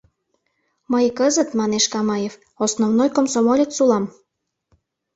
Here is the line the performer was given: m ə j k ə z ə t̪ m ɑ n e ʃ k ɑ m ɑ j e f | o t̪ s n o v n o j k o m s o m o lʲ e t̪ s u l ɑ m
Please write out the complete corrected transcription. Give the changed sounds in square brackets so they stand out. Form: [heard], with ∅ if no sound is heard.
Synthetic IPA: m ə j k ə z ə t̪ m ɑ n e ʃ k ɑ m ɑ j e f | o [∅] s n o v n o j k o m s o m o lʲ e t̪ s u l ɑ m